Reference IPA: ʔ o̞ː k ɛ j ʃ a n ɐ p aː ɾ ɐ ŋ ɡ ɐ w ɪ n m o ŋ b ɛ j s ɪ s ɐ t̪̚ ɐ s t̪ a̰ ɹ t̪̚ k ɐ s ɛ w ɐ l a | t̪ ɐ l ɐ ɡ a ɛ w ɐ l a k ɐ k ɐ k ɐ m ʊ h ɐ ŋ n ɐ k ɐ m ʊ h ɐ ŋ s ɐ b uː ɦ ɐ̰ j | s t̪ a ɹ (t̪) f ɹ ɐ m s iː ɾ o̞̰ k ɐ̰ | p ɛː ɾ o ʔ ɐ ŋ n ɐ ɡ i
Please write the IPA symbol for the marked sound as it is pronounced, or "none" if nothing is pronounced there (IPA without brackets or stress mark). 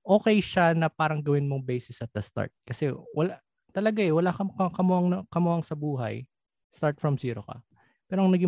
t̪